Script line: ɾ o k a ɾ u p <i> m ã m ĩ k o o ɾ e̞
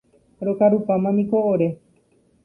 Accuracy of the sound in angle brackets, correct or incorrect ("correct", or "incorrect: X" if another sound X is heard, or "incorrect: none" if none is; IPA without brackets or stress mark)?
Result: incorrect: a